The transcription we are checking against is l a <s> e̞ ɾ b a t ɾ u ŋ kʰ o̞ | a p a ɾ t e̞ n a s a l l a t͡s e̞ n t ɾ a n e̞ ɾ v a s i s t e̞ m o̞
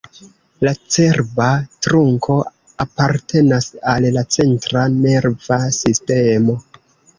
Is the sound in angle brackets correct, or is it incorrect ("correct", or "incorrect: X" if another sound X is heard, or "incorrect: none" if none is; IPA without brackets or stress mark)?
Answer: incorrect: t͡s